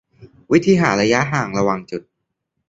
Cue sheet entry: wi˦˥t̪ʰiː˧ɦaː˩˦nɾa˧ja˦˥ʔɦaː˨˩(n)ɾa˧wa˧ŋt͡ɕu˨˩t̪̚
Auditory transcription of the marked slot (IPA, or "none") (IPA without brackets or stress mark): ŋ